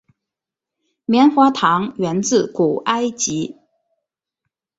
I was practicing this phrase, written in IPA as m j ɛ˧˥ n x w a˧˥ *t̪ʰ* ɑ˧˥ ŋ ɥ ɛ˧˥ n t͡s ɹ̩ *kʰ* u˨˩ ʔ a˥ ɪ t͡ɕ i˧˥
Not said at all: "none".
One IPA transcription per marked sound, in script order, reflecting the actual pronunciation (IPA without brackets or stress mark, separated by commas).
t̪ʰ, k